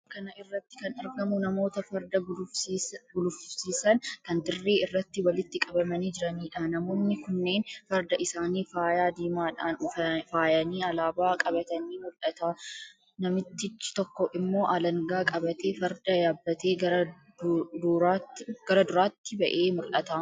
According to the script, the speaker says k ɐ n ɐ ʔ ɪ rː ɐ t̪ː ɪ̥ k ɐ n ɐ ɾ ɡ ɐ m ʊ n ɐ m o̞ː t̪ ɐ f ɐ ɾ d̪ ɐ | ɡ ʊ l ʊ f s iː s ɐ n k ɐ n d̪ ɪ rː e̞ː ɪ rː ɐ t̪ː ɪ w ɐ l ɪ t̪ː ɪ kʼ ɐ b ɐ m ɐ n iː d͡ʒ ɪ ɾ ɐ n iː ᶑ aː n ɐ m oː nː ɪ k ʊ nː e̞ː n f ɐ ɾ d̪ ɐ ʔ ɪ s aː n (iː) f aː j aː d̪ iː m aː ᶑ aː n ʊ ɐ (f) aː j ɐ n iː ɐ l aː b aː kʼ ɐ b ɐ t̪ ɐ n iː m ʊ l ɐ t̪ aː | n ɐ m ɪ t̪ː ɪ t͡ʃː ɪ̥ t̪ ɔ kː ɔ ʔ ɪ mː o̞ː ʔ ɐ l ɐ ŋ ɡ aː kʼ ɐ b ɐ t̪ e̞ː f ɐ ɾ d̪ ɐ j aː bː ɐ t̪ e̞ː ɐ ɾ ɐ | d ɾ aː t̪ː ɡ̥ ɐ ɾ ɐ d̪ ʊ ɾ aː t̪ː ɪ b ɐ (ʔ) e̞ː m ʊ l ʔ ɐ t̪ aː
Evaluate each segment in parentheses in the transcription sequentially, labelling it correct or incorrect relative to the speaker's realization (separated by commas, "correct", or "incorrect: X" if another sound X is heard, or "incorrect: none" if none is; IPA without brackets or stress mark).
correct, correct, correct